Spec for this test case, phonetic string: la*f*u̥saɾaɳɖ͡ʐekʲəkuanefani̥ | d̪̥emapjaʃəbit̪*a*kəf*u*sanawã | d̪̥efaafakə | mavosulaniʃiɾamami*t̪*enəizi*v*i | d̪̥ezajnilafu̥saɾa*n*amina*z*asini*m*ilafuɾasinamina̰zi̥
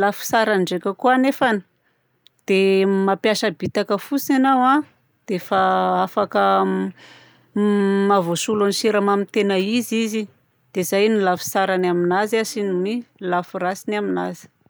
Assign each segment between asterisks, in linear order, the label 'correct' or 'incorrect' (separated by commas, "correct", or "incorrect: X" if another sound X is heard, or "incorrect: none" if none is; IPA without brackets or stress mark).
correct, correct, correct, correct, incorrect: z, correct, correct, correct